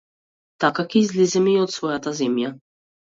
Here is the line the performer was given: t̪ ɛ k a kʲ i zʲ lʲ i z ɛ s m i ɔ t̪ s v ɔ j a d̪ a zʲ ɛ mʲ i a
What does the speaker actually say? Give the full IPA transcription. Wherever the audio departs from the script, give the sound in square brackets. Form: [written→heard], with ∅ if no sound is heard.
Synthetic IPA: t̪ [ɛ→a] k a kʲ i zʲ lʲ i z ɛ [s→∅] m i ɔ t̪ s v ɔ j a [d̪→t̪] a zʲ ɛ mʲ [i→j] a